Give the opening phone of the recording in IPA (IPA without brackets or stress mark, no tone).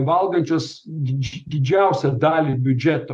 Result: ʋ